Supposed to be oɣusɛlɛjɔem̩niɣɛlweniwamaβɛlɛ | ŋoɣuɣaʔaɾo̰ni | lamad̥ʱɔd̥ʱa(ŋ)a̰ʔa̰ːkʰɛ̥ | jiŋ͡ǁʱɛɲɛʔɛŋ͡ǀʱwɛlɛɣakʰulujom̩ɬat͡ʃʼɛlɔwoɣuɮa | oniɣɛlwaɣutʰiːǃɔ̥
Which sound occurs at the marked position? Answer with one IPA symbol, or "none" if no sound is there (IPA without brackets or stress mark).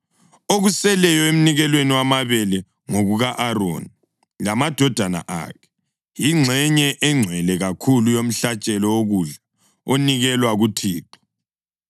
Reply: n